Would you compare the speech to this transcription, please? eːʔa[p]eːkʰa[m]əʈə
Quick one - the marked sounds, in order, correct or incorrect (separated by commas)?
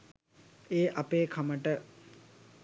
correct, correct